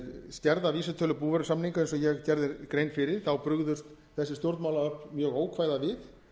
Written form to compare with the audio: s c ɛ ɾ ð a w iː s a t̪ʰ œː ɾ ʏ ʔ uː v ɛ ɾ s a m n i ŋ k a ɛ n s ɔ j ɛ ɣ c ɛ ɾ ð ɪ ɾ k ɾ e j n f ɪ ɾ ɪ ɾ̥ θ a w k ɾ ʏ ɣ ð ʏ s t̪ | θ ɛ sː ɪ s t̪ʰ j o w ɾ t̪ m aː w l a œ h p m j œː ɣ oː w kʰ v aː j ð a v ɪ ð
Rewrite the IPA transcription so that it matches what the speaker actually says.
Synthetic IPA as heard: s c ɛ ɾ ð a v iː s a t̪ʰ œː l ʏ p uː v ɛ ɾ s a m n i ŋ k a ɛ n s ɔ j ɛ ɣ c ɛ ɾ ð ɪ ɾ k ɾ e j n f ɪ ɾ ɪ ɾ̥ θ a w p ɾ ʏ ɣ ð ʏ s t̪ | θ ɛ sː ɪ s t̪ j o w ɾ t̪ m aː w l a œ h p m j œː ɣ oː w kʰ v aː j ð a v ɪ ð

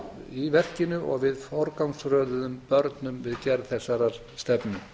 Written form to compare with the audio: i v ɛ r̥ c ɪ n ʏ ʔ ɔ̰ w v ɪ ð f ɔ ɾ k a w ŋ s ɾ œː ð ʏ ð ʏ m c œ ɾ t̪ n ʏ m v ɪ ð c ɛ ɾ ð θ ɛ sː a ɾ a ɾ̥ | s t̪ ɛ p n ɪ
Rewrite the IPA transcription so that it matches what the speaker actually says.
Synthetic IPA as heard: i v ɛ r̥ c ɪ n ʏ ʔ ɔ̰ ɣ v ɪ ð f ɔ ɾ k a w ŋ s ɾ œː ð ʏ ð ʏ m p œ ɾ t̪ n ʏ m v ɪ ð c ɛ ɾ ð θ ɛ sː a ɾ a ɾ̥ | s t̪ ɛ p n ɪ

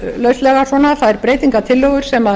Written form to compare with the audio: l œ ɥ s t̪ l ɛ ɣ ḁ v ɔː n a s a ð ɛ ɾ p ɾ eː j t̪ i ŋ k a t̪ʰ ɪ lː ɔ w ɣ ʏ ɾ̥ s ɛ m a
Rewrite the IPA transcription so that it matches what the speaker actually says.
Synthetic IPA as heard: l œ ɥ s t̪ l ɛ ɣ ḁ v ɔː n a θ a ð ɛ ɾ p ɾ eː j t̪ i ŋ k a t̪ʰ ɪ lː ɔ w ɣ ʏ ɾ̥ s ɛ m a

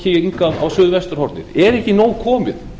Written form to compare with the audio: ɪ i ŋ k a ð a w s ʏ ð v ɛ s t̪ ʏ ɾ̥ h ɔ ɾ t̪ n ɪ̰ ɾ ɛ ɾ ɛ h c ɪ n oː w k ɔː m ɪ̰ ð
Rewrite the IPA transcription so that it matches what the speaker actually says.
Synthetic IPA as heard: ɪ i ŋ k a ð a w s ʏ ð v ɛ s t̪ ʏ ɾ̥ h ɔ ɾ t̪ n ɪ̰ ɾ ɛ ɾ ɛ h c ɪ n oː w kʰ ɔː m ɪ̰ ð

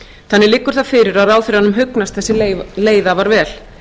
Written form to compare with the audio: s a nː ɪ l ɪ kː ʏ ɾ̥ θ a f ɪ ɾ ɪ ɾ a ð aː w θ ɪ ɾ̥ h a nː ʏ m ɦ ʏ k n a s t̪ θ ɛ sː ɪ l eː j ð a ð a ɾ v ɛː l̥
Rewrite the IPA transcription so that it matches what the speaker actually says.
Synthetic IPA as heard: θ a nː ɪ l ɪ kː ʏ ɾ̥ θ a f ɪ ɾ ɪ ɾ a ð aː w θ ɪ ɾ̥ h a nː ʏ m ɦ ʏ k n a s t̪ θ ɛ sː ɪ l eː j ð a v a ɾ v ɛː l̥

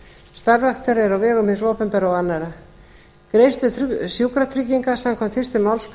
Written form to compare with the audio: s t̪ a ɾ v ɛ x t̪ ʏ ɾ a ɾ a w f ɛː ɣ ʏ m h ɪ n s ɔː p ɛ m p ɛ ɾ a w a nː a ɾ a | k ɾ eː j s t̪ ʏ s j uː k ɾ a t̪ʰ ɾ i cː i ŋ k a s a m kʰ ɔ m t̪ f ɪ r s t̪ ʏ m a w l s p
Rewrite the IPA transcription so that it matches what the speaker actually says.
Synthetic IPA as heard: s t̪ a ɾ v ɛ x t̪ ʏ ɾ ɛ ɾ a w v ɛː ɣ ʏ m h ɪ n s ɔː p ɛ m p ɛ ɾ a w a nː a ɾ a | k ɾ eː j s t̪ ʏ s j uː k ɾ a t̪ʰ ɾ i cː i ŋ k a s a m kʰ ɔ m t̪ f ɪ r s t̪ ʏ m a w l s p

